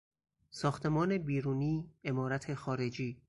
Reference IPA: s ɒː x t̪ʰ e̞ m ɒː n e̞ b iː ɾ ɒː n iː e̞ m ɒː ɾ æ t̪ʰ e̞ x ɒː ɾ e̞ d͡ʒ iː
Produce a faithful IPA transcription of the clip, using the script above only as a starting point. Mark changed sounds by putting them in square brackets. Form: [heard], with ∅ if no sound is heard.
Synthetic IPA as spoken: s ɒː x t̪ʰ e̞ m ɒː n e̞ b iː ɾ [uː] n iː e̞ m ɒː ɾ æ t̪ʰ e̞ x ɒː ɾ e̞ d͡ʒ iː